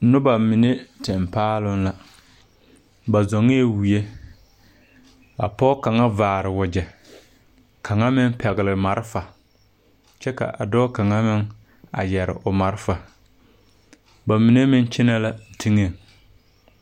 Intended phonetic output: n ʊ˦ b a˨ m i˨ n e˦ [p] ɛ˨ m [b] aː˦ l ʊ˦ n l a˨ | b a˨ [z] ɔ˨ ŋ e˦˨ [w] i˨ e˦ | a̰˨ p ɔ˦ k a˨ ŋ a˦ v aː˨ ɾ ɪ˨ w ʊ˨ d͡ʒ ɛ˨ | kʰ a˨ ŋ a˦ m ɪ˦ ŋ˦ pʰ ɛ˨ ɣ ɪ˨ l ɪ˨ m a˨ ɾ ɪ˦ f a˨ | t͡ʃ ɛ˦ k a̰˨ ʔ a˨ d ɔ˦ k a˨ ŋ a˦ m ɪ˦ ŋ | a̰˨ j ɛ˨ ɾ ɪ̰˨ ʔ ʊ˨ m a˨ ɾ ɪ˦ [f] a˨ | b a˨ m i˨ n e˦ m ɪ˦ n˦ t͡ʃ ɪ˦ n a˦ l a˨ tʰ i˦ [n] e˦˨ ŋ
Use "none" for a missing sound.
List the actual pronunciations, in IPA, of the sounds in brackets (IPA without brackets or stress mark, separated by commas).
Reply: t, p, z, w, f, ŋ